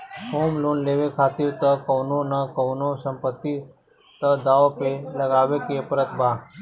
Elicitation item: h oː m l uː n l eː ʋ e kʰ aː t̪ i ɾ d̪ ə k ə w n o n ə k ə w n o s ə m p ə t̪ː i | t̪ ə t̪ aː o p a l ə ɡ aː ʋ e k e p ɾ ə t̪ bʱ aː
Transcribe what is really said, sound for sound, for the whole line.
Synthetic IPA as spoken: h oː m l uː n l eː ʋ e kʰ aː t̪ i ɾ t̪ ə k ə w n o n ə k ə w n o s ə m p ə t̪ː i | t̪ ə d̪ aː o p e l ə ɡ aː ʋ e k e p ɾ ə t̪ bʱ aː